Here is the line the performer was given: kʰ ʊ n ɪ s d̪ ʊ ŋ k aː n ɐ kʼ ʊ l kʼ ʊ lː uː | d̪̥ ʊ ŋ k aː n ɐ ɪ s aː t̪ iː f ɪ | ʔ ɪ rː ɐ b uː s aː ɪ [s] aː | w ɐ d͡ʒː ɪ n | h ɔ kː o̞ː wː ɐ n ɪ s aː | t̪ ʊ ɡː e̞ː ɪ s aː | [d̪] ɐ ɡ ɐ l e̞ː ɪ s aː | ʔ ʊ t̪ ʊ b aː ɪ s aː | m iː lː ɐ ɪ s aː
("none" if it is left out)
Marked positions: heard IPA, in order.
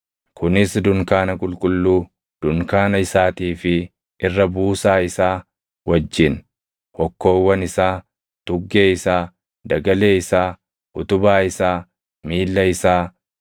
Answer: s, d̪

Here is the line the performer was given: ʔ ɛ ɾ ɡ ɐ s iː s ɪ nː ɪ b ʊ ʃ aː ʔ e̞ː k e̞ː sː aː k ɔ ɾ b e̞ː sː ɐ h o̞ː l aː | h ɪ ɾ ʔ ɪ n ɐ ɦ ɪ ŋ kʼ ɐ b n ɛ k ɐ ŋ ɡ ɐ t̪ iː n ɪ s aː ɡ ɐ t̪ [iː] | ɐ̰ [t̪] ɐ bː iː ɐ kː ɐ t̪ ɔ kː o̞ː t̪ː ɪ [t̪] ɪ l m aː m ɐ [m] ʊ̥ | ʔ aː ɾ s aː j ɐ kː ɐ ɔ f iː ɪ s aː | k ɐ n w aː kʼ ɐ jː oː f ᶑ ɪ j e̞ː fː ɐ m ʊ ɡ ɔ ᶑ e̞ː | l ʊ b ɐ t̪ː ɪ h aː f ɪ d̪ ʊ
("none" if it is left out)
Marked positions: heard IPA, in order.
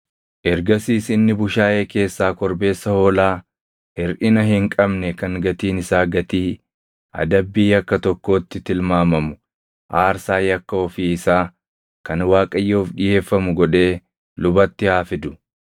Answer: iː, d̪, t̪, m

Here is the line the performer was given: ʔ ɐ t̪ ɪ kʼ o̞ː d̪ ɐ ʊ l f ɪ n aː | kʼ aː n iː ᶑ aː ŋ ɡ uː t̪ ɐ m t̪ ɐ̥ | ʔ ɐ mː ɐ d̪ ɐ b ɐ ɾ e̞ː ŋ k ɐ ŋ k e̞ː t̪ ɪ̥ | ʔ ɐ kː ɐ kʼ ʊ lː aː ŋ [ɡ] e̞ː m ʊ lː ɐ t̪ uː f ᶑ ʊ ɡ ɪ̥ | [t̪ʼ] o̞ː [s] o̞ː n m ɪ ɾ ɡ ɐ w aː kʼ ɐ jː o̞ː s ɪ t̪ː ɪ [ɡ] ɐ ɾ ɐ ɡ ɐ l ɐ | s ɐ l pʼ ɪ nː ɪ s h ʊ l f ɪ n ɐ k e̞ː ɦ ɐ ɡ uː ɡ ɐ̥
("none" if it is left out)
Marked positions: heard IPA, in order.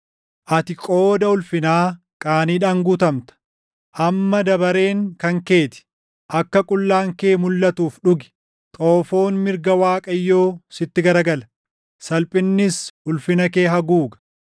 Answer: k, t̪ʼ, f, ɡ

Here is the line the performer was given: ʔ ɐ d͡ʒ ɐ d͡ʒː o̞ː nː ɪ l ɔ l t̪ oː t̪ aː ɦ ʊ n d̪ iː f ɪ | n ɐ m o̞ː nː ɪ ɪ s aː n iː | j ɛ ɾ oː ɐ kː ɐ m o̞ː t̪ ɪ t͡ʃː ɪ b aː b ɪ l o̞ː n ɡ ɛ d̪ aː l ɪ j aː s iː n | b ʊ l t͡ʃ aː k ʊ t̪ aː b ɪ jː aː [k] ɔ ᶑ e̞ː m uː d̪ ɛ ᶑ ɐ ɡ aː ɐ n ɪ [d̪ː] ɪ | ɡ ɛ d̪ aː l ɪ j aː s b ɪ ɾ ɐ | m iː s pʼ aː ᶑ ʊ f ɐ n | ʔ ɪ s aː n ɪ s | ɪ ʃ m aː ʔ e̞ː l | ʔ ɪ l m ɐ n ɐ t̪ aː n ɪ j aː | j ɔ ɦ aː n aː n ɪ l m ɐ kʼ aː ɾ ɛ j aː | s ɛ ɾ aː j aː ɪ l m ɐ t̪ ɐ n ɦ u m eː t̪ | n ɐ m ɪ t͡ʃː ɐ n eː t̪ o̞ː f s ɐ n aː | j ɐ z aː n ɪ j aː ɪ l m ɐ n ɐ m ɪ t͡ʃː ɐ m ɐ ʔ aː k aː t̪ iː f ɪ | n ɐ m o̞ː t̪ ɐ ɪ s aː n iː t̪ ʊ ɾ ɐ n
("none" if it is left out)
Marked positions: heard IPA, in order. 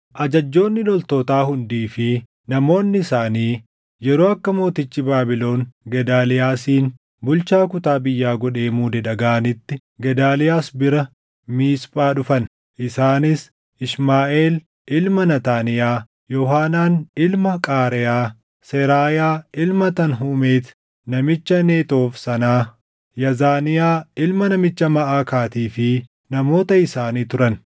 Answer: ɡ, t̪ː

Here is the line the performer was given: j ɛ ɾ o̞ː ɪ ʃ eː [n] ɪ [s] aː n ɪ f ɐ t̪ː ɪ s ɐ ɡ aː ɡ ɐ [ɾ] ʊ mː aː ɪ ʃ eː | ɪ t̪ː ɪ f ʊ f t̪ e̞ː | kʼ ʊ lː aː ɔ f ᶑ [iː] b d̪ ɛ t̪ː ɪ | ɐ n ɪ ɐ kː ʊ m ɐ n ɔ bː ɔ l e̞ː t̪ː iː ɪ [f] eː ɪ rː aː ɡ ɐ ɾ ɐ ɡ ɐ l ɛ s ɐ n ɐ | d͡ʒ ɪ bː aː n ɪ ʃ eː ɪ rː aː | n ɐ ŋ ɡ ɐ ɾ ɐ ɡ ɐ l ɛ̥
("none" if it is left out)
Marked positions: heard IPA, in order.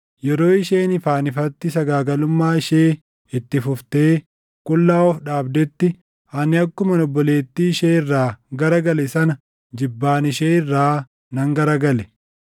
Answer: n, f, l, aː, ʃ

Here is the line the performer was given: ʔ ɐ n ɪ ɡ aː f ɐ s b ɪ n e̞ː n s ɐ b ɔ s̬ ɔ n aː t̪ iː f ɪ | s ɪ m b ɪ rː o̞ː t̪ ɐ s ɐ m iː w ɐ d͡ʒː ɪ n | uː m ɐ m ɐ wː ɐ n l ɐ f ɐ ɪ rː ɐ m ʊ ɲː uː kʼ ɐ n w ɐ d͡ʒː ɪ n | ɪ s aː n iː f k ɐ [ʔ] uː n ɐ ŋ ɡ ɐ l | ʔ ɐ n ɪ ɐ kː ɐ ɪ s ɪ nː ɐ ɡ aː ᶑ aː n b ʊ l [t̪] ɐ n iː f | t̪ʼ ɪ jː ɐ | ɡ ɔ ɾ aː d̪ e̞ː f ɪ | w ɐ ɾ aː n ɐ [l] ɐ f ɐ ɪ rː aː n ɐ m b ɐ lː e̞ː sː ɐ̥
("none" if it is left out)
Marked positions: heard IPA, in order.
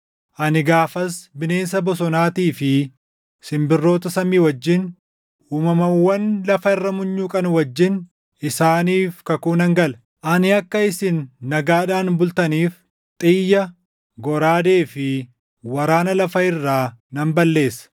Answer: k, t̪, l

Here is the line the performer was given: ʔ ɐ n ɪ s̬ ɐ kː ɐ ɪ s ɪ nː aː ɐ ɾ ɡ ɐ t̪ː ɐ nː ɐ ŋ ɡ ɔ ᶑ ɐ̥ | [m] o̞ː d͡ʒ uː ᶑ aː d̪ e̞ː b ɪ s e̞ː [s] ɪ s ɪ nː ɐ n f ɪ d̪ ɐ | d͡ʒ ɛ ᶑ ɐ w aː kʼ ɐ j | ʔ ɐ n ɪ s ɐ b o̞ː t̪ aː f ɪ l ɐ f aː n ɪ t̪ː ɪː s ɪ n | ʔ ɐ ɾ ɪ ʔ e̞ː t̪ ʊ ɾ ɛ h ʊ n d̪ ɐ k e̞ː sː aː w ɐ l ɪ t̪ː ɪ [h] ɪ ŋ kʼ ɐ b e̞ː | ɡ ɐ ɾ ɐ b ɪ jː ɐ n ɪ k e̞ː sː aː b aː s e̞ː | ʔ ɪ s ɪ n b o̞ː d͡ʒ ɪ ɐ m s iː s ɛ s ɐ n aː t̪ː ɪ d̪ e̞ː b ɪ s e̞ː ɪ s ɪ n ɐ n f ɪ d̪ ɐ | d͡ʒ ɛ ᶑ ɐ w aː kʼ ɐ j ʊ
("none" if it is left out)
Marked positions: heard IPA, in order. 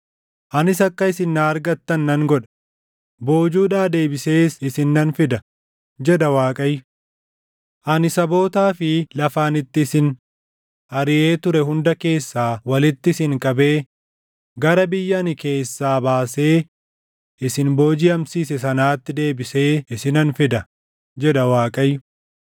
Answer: b, s, s

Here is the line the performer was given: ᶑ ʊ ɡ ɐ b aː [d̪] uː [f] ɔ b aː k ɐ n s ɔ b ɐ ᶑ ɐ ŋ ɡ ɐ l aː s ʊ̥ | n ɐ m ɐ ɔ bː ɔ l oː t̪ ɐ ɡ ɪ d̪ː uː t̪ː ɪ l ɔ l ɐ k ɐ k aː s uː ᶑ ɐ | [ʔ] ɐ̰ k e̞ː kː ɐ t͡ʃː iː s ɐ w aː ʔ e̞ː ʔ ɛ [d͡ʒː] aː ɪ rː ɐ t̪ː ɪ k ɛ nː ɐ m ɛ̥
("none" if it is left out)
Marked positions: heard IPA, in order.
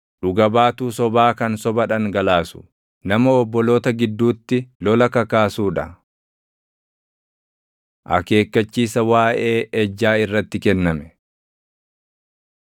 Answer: t̪, s, ʔ, d͡ʒː

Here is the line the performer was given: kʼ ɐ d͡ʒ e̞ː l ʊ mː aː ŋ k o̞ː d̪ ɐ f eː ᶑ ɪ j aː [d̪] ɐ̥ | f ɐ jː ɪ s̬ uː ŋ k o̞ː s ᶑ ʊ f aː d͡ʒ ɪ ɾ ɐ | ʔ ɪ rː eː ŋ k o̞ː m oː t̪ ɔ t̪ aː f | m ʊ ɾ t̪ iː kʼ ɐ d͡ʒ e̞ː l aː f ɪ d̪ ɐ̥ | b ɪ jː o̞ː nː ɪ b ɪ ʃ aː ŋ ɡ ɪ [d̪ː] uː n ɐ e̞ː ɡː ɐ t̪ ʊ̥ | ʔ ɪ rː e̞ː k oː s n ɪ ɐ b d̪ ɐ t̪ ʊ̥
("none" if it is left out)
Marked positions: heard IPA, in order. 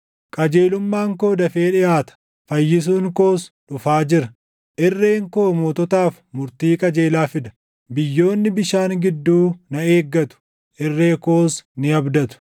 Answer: t̪, d̪ː

